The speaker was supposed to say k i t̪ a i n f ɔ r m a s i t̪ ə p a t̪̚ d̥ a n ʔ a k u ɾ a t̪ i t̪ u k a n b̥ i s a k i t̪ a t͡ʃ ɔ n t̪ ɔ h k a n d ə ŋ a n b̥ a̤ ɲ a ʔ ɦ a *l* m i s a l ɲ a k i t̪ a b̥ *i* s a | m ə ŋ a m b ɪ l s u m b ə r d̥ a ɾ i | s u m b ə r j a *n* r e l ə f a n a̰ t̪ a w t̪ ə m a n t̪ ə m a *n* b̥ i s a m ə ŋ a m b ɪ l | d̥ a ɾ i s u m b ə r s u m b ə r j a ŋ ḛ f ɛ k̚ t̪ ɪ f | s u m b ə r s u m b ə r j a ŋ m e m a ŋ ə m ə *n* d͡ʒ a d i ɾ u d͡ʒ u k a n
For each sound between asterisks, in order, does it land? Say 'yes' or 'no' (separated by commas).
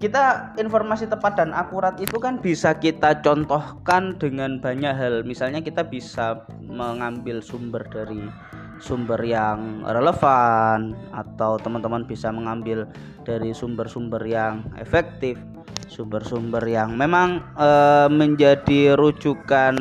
yes, yes, no, yes, no